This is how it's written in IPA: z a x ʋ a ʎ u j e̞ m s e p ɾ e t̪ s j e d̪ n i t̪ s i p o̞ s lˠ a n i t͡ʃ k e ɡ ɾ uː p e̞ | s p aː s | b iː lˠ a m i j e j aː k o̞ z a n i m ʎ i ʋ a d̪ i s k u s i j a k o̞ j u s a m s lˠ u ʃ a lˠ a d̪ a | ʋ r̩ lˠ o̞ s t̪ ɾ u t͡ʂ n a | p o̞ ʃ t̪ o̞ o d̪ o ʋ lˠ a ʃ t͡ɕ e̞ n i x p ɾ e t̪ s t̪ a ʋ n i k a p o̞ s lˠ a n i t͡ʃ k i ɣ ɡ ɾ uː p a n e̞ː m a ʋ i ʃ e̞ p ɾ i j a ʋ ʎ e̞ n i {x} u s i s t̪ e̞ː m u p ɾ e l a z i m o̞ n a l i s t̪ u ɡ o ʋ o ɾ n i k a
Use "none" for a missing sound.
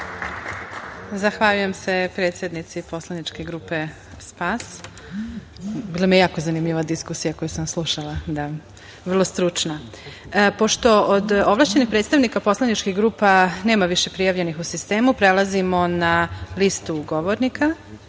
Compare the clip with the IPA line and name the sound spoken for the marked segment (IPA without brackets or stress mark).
x